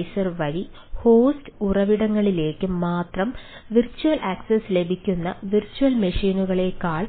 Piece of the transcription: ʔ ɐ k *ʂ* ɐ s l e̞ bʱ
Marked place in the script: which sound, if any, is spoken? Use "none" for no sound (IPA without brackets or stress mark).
s